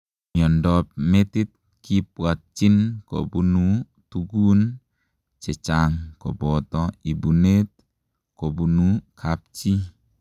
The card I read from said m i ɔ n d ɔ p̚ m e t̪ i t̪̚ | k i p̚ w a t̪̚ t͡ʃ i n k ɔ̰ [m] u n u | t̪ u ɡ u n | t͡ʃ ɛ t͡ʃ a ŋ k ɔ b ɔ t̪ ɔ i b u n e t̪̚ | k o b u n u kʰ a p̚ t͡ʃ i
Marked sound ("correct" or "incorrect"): incorrect